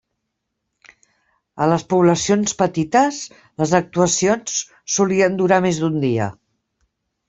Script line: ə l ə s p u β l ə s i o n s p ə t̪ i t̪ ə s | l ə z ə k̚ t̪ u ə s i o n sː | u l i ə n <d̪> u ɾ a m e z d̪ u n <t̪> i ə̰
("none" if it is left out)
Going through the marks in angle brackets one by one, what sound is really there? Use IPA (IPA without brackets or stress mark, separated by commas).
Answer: d̪, d̪